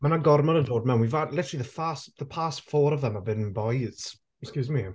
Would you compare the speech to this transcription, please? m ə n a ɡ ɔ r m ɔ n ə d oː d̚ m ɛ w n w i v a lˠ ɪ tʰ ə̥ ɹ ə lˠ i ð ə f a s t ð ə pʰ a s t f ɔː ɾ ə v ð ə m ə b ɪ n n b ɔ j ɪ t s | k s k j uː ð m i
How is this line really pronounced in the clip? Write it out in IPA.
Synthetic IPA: m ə n a ɡ ɔ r m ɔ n ə d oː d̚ m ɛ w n w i v a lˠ ɪ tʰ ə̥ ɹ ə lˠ i ð ə f a s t ð ə pʰ a s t f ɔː ɾ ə v ð ə m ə b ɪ n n b ɔ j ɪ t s | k s k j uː z m i